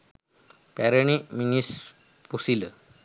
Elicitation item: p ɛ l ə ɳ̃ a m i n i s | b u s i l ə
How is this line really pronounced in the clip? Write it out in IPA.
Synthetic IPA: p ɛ ɾ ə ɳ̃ i m i n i s | p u s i l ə